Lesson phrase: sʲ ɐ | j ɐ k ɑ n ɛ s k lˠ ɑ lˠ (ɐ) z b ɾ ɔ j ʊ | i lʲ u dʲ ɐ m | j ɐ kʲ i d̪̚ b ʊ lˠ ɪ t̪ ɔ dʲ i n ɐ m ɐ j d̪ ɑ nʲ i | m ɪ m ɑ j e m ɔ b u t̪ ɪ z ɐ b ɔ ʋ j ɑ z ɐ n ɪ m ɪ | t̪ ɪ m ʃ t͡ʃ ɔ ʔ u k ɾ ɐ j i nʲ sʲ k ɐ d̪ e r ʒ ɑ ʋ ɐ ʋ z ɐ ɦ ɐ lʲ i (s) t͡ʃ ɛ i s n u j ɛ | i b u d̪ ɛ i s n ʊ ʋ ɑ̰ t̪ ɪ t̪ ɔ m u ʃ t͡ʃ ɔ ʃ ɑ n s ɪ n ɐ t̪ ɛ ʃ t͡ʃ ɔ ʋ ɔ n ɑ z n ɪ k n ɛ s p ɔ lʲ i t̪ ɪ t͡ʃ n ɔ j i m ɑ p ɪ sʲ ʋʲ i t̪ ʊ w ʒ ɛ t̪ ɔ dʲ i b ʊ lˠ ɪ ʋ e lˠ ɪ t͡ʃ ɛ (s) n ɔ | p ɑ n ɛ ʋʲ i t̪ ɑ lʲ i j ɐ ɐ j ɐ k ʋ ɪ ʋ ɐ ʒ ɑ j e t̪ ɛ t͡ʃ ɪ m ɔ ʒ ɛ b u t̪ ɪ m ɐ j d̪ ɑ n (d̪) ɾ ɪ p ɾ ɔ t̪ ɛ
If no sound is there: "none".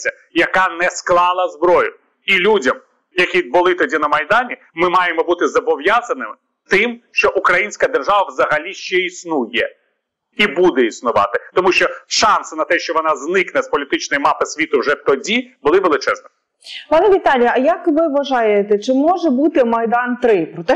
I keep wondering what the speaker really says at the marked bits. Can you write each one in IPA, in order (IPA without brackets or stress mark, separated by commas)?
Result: ɐ, ʃ, z, t̪